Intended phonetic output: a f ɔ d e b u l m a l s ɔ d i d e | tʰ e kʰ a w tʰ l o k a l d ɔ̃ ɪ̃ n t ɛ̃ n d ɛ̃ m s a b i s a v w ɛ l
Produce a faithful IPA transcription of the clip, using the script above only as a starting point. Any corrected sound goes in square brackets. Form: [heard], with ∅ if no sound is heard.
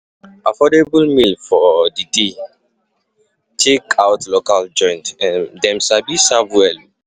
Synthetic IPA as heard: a f ɔ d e b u l m [i] l [f] ɔ d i d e | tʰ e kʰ a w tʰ l o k a l [d͡ʒ] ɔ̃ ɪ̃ n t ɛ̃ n d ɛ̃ m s a b i s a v w ɛ l